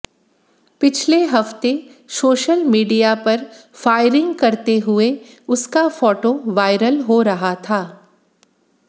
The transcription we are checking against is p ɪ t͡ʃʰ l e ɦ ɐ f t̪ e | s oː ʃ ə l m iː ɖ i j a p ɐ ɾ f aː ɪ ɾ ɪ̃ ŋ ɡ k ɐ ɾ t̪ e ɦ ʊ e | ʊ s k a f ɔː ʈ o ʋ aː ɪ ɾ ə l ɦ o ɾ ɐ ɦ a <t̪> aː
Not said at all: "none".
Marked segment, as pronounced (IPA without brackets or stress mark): t̪ʰ